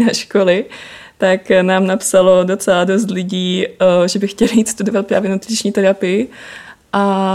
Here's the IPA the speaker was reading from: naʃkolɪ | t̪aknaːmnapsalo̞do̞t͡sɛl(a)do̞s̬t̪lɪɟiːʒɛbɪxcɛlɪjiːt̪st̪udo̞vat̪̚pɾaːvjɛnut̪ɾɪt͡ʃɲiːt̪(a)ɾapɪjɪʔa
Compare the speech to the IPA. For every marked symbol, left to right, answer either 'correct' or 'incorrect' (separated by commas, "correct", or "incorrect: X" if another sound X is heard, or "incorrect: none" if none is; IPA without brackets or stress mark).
correct, incorrect: ɛ